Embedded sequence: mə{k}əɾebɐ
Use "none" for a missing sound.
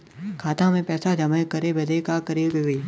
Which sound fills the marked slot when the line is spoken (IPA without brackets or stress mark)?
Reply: k